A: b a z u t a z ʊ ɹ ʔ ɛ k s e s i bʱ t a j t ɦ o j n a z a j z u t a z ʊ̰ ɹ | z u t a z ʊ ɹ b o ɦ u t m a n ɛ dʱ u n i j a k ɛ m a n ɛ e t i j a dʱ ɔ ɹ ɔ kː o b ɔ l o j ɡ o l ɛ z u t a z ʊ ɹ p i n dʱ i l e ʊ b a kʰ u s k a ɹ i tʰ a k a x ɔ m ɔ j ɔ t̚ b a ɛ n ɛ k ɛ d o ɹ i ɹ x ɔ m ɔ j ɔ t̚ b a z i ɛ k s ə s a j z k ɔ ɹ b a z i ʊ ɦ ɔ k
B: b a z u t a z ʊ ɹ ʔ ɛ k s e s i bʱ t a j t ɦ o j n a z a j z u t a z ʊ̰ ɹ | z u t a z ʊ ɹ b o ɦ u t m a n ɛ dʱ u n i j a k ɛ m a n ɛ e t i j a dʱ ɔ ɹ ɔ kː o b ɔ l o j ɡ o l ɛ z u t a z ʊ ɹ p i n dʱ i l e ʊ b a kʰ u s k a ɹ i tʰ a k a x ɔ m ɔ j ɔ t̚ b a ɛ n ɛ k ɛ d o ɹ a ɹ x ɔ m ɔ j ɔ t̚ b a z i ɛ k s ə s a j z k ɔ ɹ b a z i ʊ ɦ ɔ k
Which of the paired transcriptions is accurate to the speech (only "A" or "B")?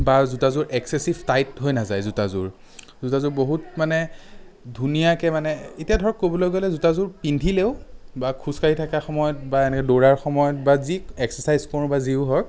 B